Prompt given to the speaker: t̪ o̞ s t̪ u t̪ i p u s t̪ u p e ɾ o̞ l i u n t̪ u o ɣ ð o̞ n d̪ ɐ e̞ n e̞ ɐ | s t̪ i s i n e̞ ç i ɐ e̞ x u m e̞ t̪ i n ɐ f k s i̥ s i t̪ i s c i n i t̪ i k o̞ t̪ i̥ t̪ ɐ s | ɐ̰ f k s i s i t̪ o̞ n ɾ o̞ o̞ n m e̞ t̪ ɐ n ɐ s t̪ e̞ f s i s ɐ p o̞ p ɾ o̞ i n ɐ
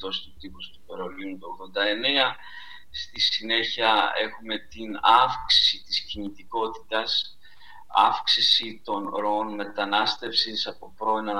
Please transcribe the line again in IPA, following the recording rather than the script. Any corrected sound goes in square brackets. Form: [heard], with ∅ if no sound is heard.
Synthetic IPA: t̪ o̞ s t̪ u t̪ i p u s t̪ u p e ɾ o̞ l i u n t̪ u o ɣ ð o̞ n d̪ ɐ e̞ n e̞ ɐ | s t̪ i s i n e̞ ç i ɐ e̞ x u m e̞ t̪ i n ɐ f k s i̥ s i t̪ i s c i n i t̪ i k o̞ t̪ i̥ t̪ ɐ s | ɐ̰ f k s i s i t̪ o̞ n ɾ o̞ o̞ n m e̞ t̪ ɐ n ɐ s t̪ e̞ f s i s ɐ p o̞ p ɾ o̞ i n ɐ